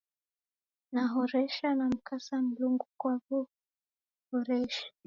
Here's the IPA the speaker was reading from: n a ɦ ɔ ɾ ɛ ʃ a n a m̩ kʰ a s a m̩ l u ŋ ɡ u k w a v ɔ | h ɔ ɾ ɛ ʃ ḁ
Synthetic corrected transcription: n a ɦ ɔ ɾ ɛ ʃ a n a m̩ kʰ a s a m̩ l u ŋ ɡ u k w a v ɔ | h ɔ ɾ ɛ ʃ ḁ

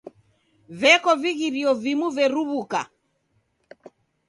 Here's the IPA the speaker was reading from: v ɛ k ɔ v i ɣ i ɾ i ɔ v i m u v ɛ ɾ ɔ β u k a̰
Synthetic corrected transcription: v ɛ k ɔ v i ɣ i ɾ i ɔ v i m u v ɛ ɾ u β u k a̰

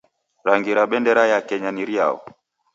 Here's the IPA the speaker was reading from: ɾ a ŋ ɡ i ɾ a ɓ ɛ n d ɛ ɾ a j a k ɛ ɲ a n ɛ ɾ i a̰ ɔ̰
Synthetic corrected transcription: ɾ a ŋ ɡ i ɾ a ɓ ɛ n d ɛ ɾ a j a k ɛ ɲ a n i ɾ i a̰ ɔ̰

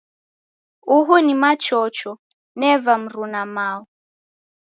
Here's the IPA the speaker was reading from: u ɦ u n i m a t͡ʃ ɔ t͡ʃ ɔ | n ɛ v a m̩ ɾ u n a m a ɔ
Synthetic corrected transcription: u ɦ u n i m a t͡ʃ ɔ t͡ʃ ɔ | n ɛ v a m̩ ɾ u n a m a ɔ

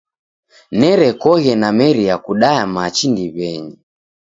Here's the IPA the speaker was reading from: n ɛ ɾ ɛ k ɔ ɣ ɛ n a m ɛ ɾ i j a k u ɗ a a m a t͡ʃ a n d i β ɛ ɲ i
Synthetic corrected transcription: n ɛ ɾ ɛ k ɔ ɣ ɛ n a m ɛ ɾ i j a k u ɗ a a m a t͡ʃ i n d i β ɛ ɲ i

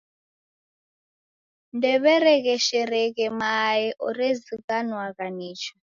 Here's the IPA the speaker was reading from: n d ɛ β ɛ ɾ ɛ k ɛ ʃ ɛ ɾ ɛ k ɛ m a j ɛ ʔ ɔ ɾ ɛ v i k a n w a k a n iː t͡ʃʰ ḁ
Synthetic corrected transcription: n d ɛ β ɛ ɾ ɛ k ɛ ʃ ɛ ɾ ɛ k ɛ m a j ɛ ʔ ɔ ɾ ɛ z i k a n w a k a n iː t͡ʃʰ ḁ

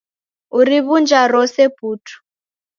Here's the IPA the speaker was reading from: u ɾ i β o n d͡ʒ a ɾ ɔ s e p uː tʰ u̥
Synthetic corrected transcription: u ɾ i β u n d͡ʒ a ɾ ɔ s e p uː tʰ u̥

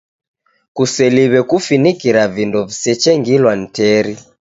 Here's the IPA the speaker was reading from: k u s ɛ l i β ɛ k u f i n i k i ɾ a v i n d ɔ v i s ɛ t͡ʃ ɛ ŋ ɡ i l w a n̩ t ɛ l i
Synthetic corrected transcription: k u s ɛ l i β ɛ k u f i n i k i ɾ a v i n d ɔ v i s ɛ t͡ʃ ɛ ŋ ɡ i l w a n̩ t ɛ ɾ i

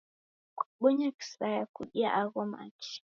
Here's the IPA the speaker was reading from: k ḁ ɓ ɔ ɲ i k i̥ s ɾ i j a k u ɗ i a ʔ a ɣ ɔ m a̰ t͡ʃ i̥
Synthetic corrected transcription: k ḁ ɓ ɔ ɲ a k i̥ s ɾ a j a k u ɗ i a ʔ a ɣ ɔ m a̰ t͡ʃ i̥

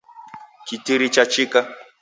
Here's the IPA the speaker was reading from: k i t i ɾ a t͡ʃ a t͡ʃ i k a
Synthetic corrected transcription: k i t i ɾ i t͡ʃ a t͡ʃ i k a

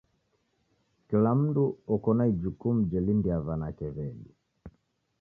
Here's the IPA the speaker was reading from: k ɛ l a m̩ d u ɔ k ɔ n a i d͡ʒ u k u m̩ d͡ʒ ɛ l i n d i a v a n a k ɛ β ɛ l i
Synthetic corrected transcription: k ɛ l a m̩ d u ɔ k ɔ n a i d͡ʒ u k u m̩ d͡ʒ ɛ l i n d i a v a n a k ɛ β ɛ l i

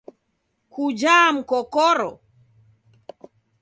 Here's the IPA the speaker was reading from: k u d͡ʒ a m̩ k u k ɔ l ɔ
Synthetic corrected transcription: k u d͡ʒ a m̩ k ɔ k ɔ ɾ ɔ

